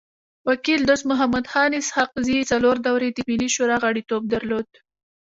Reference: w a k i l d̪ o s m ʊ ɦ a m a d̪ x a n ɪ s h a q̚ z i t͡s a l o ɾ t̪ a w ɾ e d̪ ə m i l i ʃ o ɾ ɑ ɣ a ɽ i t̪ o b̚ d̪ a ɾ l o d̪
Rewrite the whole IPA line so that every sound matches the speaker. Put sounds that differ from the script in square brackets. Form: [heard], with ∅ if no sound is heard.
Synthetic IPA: w a k i l d̪ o s m ʊ ɦ a m a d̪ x [ɑ] n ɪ s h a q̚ z i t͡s a l o ɾ [d̪] a w ɾ e d̪ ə m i l i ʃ o ɾ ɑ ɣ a ɽ i t̪ o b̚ d̪ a ɾ l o d̪